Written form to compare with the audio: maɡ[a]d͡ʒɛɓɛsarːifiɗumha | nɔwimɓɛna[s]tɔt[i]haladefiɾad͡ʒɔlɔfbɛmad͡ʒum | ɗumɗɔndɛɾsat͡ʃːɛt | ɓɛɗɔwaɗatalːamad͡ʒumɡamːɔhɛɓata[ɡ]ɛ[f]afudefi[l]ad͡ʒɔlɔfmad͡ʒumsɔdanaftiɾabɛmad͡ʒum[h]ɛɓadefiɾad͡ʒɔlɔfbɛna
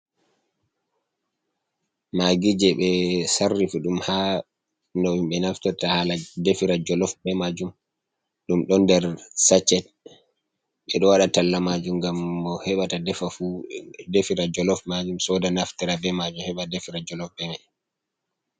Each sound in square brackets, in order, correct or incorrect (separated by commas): incorrect, incorrect, incorrect, incorrect, correct, incorrect, correct